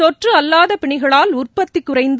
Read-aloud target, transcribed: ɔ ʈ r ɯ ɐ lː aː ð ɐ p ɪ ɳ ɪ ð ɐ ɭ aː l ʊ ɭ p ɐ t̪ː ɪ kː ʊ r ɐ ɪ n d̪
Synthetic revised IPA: ɔ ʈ r ɯ ɐ lː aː ð ɐ p ɪ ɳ ɪ ɣ ɐ ɭ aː l ʊ r p ɐ t̪ː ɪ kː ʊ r ɐ ɪ n d̪